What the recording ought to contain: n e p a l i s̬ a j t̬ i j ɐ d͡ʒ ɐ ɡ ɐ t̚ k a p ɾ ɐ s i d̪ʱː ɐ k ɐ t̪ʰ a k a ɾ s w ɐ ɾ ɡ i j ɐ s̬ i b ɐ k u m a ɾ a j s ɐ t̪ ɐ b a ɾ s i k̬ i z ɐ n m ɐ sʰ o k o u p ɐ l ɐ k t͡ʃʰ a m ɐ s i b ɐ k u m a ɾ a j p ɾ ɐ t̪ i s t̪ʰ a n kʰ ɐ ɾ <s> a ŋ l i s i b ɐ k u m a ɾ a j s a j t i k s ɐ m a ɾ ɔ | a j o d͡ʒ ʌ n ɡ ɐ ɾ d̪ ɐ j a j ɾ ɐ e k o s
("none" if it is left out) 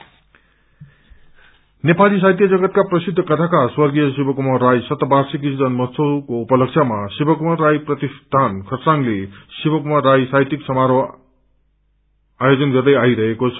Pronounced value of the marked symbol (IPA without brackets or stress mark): s